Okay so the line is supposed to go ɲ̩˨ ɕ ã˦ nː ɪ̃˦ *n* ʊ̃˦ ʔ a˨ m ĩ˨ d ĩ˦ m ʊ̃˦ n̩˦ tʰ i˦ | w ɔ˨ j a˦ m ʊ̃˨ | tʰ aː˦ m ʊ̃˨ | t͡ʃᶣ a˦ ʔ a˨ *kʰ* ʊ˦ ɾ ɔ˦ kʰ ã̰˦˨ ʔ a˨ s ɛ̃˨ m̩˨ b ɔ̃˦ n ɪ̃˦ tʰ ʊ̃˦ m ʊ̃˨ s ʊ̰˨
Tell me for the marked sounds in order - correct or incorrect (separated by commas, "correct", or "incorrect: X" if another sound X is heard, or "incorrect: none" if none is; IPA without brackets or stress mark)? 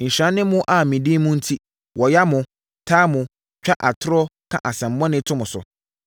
incorrect: m, incorrect: tʰ